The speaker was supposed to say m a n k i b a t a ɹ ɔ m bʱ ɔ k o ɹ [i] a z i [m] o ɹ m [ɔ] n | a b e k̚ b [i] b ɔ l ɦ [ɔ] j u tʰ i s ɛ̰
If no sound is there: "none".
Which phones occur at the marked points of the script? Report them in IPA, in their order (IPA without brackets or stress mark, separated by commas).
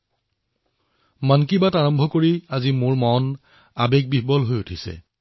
i, m, ɔ, i, o